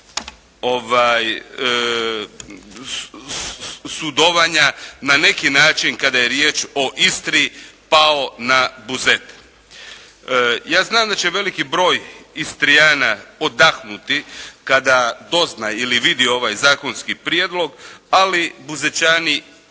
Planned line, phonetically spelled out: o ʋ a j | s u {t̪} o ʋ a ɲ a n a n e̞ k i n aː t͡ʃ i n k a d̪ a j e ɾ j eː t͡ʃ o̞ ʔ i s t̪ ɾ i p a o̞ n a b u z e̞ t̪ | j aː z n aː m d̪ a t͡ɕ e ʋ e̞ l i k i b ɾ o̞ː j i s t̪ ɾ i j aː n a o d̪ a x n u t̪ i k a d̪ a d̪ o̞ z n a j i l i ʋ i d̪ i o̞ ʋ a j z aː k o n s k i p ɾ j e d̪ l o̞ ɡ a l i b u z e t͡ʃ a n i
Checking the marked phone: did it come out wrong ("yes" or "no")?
yes